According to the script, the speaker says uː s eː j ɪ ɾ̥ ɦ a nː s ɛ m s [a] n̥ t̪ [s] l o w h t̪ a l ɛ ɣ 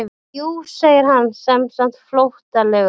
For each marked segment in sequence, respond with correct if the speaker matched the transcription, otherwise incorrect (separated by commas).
correct, incorrect